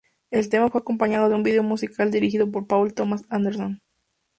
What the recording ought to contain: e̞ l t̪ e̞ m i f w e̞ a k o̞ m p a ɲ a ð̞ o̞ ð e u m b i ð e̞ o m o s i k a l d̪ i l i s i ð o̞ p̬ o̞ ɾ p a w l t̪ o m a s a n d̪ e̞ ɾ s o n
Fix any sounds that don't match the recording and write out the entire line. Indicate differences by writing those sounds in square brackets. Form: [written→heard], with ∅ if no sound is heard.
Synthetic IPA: e̞ l t̪ e̞ m [i→a] f w e̞ a k o̞ m p a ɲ a ð̞ o̞ ð e u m b i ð e̞ o m [o→u] s i k a l d̪ i [l→ɾ] i [s→x] i ð o̞ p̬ o̞ ɾ p a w l t̪ o m a s a n d̪ e̞ ɾ s o n